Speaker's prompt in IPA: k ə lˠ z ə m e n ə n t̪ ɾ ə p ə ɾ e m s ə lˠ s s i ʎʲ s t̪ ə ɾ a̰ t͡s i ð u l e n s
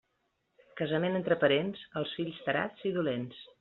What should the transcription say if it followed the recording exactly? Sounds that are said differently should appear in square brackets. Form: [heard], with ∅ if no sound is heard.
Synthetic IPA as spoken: k ə [∅] z ə m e n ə n t̪ ɾ ə p ə ɾ e [n] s ə lˠ s [f] i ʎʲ s t̪ ə ɾ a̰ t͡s i ð u l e n s